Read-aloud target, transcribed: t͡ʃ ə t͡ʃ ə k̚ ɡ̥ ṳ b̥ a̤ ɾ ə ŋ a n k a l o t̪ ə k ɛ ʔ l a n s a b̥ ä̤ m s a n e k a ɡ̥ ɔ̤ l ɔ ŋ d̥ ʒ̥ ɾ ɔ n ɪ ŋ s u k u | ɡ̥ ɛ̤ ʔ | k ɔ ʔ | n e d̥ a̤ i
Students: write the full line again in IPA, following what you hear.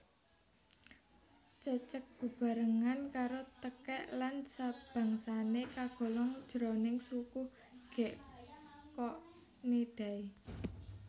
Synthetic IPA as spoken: t͡ʃ ə t͡ʃ ə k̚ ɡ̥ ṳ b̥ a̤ ɾ ə ŋ a n k a ɾ o t̪ ə k ɛ ʔ l a n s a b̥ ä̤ ŋ s a n e k a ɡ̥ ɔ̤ l ɔ ŋ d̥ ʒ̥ ɾ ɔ n ɪ ŋ s u k u | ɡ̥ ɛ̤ ʔ | k ɔ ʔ | n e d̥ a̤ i